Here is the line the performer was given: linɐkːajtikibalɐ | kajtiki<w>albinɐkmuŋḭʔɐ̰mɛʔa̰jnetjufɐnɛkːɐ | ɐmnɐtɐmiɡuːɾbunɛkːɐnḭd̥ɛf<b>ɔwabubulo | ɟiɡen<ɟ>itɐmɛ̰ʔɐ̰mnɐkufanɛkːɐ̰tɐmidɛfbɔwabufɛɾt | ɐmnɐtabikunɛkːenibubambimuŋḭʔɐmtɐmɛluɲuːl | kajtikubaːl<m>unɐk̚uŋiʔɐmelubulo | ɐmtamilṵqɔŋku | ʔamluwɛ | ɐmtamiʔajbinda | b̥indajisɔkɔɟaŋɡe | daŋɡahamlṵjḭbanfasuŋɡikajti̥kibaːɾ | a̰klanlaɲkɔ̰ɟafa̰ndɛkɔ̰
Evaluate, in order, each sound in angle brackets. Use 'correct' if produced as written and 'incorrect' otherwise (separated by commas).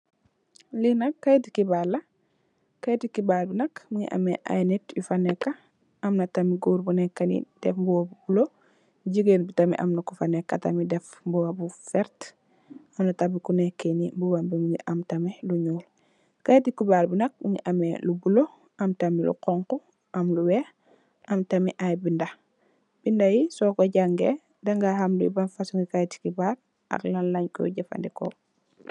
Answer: incorrect, correct, incorrect, incorrect